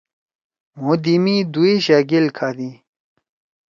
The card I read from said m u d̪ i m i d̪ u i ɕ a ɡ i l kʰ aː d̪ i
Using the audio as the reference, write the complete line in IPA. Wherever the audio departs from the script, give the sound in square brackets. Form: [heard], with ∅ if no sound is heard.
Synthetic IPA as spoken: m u d̪ i m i d̪ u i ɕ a ɡ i l kʰ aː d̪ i